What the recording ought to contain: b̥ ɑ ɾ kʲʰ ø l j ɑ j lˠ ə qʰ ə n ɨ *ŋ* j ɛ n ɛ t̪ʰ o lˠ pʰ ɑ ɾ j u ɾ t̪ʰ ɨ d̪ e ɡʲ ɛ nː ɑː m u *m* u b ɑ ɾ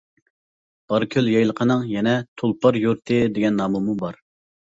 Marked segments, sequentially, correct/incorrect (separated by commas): correct, correct